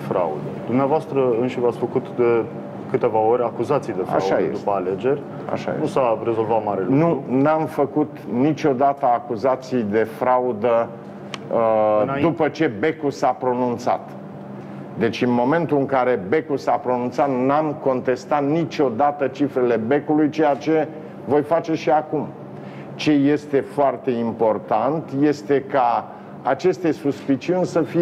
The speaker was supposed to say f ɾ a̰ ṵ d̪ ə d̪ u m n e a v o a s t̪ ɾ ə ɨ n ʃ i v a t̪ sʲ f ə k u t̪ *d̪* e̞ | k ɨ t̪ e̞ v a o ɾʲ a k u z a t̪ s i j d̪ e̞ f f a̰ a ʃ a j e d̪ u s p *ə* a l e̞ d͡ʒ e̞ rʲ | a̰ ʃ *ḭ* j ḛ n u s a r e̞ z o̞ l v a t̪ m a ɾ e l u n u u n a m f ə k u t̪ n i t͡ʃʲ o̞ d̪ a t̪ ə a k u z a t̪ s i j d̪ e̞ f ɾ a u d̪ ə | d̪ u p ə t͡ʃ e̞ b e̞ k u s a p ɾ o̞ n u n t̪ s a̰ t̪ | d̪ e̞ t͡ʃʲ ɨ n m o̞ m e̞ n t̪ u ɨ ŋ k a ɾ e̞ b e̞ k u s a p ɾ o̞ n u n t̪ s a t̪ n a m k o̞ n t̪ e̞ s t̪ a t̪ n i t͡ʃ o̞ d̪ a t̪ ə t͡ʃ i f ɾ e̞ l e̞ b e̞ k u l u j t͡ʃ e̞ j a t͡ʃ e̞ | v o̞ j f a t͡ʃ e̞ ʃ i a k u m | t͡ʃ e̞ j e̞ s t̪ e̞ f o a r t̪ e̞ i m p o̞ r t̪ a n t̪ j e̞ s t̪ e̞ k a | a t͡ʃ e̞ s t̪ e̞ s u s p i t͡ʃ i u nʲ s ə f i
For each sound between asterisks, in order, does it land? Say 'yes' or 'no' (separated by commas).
yes, yes, no